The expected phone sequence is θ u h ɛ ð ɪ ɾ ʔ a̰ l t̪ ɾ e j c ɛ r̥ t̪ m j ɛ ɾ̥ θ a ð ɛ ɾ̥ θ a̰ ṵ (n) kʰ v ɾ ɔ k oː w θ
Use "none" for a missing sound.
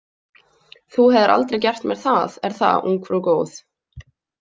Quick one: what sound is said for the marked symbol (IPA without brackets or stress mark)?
ŋ